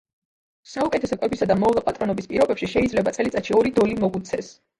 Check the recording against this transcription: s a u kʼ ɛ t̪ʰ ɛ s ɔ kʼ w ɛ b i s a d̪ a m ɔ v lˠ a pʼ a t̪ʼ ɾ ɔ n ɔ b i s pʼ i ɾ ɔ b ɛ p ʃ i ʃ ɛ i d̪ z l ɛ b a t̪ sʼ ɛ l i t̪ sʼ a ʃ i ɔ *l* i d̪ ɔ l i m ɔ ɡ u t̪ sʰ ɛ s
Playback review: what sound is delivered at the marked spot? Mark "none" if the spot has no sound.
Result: ɾ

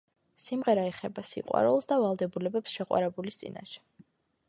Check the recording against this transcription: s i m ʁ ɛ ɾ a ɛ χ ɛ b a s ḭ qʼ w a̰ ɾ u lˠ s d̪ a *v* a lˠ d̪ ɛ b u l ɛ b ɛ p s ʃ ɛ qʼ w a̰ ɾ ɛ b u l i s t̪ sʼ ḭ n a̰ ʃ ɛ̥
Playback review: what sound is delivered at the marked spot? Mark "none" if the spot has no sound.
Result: v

